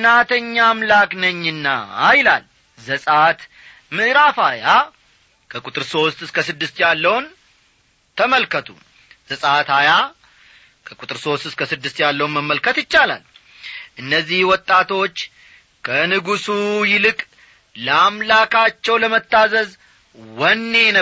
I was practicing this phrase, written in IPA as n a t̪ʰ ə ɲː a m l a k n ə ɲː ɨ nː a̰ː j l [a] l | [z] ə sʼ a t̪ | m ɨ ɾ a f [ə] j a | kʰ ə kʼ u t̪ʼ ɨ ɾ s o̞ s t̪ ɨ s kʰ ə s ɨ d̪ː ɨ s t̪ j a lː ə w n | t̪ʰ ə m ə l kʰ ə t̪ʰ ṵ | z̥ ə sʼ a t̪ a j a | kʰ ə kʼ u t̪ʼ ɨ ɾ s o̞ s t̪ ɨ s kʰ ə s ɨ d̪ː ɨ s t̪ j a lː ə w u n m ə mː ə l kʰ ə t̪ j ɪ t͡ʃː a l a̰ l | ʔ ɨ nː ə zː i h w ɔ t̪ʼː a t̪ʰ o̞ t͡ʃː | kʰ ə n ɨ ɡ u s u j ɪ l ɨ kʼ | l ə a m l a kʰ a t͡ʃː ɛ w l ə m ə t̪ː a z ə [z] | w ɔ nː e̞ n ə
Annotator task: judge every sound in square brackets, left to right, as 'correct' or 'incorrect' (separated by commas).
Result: correct, correct, incorrect, correct